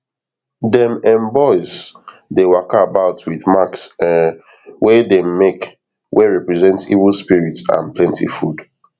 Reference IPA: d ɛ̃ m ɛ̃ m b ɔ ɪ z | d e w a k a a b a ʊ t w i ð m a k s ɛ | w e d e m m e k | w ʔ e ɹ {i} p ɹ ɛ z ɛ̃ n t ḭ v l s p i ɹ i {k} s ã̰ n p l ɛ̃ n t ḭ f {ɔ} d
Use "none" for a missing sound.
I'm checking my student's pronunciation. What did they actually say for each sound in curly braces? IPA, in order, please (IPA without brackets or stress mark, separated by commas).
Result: ɛ, t, u